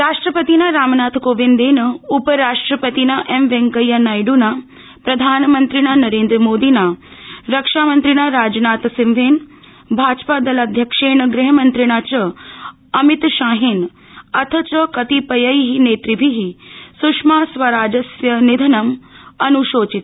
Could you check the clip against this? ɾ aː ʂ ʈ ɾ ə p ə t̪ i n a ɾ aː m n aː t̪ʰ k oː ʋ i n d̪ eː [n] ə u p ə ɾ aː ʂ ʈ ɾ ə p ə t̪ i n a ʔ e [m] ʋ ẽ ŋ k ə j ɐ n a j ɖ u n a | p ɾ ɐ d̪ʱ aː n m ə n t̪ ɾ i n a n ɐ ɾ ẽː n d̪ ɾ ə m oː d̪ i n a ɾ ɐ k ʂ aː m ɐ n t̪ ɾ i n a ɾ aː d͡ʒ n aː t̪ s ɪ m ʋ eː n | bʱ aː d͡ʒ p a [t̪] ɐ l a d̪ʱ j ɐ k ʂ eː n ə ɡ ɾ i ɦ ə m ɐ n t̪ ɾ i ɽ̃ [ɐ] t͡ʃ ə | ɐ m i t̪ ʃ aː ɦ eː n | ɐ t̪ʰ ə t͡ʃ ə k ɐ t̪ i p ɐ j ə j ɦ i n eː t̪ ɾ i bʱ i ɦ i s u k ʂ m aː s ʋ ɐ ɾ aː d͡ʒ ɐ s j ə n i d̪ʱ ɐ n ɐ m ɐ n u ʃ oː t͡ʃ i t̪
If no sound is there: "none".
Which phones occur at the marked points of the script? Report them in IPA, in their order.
n, m, d̪, a

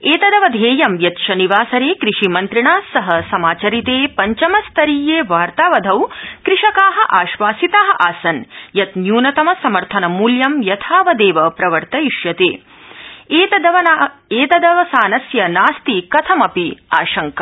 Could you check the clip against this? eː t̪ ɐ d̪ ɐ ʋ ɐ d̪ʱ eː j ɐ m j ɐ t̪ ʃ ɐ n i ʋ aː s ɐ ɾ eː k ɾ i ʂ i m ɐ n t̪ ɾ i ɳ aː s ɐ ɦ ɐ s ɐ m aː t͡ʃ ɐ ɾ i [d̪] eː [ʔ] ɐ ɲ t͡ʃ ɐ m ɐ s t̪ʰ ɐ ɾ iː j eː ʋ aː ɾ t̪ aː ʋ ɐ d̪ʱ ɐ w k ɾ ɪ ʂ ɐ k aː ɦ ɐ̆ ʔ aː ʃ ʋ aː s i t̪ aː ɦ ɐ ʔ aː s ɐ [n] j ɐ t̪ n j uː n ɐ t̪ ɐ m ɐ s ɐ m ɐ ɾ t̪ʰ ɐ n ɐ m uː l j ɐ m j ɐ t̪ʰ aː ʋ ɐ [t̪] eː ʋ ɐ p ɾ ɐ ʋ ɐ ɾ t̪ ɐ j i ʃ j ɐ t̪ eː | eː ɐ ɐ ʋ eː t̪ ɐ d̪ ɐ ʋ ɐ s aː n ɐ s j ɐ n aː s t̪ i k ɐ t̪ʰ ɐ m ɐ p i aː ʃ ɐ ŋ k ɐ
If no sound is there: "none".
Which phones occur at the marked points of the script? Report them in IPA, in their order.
t̪, p, n, d̪

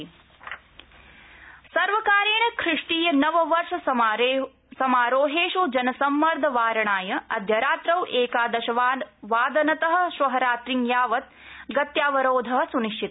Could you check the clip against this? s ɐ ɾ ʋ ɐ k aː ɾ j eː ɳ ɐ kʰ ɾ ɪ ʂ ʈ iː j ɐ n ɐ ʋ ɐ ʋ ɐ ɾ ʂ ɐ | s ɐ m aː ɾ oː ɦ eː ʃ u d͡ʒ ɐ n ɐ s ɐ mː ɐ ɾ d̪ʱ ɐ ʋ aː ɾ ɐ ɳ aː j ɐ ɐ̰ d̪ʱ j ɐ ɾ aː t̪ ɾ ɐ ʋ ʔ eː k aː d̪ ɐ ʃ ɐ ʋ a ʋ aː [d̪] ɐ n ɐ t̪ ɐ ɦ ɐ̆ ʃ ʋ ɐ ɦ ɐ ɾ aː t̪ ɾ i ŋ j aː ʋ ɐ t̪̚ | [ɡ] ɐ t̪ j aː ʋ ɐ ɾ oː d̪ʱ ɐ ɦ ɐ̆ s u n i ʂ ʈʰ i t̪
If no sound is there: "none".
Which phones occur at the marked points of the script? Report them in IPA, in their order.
d̪, ɡ

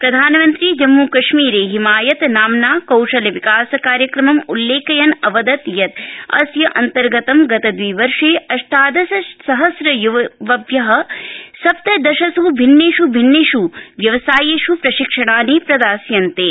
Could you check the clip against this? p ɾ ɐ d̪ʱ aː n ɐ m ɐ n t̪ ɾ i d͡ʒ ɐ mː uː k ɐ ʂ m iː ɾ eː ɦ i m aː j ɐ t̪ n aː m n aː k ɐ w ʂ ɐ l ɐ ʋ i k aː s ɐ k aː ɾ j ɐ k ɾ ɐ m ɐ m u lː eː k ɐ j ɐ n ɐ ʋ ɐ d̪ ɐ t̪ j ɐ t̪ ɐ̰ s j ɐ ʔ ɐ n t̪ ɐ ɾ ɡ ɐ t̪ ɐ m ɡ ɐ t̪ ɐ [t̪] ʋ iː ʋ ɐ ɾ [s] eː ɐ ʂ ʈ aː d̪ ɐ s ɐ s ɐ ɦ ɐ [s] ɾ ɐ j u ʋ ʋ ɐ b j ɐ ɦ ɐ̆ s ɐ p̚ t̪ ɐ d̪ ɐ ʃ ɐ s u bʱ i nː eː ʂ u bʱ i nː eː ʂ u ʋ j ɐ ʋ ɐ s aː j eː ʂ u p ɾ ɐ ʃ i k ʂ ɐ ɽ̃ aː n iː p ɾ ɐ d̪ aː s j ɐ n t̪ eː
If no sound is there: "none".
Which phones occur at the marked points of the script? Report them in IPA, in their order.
d̪, ʂ, s

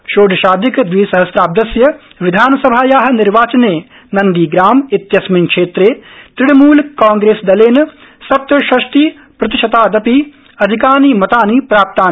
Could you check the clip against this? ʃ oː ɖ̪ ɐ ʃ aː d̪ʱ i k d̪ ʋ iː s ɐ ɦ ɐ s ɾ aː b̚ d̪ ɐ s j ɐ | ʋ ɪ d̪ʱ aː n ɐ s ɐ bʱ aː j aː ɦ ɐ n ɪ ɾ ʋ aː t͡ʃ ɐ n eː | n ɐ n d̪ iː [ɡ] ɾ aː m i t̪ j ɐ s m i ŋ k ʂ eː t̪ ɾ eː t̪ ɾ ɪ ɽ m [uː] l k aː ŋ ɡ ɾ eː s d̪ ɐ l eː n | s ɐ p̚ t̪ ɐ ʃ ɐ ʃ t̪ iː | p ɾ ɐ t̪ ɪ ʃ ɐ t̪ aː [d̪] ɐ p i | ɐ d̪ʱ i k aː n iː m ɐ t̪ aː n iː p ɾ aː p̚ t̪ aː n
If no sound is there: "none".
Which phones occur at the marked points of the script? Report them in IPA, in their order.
ɡ, uː, d̪

